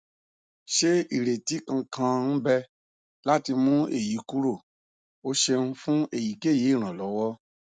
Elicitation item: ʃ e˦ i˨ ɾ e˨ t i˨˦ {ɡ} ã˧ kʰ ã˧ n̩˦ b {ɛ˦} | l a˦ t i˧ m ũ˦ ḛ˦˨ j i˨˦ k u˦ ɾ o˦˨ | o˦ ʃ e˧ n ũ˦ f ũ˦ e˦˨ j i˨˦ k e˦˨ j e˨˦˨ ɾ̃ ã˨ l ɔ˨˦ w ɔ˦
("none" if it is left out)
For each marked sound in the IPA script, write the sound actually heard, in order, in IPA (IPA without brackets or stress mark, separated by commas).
k, ɛ˦